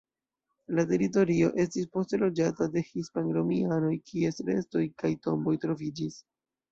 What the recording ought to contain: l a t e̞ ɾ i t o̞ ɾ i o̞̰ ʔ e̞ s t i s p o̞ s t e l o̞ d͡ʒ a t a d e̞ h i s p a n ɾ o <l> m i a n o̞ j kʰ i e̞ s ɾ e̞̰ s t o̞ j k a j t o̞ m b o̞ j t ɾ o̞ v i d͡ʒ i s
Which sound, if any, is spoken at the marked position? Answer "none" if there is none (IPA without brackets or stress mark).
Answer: none